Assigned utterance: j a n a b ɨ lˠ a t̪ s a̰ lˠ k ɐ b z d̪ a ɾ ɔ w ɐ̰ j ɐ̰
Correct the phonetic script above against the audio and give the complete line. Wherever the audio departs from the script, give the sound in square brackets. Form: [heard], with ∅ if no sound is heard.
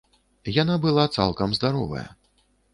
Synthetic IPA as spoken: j a n a b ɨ lˠ a t̪ s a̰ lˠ k ɐ [m] z d̪ a ɾ ɔ [v] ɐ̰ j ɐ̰